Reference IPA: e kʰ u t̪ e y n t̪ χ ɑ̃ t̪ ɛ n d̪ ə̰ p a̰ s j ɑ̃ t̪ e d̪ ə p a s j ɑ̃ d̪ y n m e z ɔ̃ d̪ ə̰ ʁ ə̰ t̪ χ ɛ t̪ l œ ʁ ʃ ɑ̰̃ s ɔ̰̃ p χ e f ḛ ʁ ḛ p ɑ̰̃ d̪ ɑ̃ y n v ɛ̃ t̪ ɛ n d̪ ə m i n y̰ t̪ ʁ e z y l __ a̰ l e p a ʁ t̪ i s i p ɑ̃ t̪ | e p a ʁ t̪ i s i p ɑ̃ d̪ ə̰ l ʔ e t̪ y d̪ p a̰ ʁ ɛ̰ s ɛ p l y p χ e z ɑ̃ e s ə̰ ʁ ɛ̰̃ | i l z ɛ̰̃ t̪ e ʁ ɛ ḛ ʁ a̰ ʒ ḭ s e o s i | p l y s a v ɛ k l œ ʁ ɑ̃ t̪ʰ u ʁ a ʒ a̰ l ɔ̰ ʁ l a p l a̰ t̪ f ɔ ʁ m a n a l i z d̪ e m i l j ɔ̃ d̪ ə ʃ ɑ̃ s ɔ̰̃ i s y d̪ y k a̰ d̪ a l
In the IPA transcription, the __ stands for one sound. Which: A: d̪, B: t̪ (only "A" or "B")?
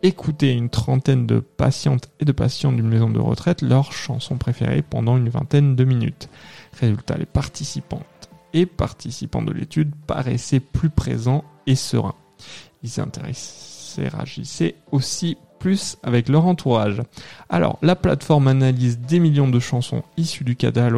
B